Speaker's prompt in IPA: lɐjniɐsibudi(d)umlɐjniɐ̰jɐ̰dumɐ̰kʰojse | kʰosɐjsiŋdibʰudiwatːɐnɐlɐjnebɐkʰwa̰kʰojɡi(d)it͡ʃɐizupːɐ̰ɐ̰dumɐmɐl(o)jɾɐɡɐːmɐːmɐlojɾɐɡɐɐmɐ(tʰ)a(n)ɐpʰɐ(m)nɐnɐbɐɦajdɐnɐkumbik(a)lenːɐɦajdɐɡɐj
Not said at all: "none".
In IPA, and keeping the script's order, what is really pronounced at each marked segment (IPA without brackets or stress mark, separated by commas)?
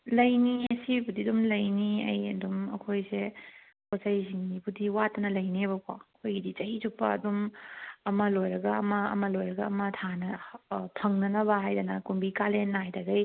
d, d, o, tʰ, n, ŋ, a